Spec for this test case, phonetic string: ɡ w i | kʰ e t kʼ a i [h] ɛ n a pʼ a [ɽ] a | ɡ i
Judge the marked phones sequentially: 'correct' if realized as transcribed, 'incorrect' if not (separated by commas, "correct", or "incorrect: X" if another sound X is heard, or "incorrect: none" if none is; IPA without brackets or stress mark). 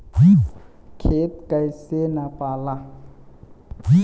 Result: incorrect: s, incorrect: l